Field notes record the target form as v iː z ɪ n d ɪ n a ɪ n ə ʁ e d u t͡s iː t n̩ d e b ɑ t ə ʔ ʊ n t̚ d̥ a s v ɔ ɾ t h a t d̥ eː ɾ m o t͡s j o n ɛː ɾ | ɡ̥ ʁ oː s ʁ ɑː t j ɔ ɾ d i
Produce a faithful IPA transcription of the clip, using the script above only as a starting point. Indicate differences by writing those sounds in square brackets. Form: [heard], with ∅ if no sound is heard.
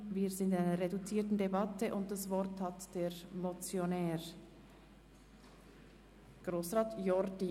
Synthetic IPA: v iː z ɪ n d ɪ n a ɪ n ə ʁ e d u t͡s iː t n̩ d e b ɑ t ə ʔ ʊ n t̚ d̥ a s v ɔ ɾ t h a t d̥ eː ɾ m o t͡s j o n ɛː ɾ | ɡ̥ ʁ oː s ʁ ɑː t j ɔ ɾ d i